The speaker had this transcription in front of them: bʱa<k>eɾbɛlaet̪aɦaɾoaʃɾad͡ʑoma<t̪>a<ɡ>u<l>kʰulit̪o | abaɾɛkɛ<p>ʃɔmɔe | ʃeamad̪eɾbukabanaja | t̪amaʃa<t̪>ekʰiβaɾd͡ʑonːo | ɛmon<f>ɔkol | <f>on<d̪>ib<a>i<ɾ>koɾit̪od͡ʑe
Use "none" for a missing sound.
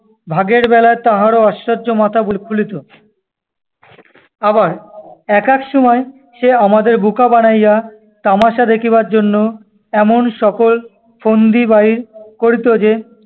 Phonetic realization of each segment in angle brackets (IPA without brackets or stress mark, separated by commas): ɡ, t̪ʰ, b, l, k, d̪, ʃ, f, d̪, a, ɾ